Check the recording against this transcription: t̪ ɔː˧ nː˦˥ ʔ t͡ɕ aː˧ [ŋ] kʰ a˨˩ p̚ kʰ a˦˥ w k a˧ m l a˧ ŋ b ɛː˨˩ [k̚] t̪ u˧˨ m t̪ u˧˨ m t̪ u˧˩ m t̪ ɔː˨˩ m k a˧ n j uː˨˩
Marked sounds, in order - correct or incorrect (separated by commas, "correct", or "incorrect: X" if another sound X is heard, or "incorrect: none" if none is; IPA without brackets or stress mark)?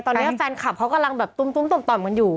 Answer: incorrect: n, incorrect: p̚